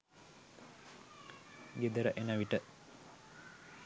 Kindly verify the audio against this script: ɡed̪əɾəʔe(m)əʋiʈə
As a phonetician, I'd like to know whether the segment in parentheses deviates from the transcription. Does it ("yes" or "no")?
yes